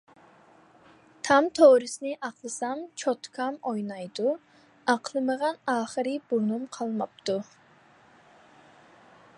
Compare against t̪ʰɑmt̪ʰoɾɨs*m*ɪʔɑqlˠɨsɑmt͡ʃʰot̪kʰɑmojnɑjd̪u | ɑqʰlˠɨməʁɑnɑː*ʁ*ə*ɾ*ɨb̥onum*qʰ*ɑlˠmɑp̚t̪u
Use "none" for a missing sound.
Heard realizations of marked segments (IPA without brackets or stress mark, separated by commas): n, χ, ɾ, qʰ